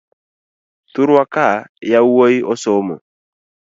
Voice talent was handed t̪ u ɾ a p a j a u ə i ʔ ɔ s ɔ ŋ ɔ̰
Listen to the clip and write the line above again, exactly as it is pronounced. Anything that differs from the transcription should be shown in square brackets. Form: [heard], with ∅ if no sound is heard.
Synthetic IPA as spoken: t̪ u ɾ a [k] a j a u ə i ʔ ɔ s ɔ [m] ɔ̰